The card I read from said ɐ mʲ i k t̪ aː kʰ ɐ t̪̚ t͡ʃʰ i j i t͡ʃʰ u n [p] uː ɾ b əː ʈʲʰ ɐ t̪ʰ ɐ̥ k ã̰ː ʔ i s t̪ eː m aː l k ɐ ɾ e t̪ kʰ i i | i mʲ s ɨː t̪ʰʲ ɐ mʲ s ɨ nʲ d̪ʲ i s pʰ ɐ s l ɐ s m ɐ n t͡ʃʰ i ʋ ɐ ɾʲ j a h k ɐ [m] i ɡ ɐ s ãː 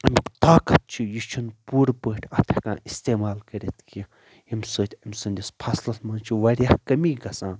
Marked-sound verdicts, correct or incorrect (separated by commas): correct, correct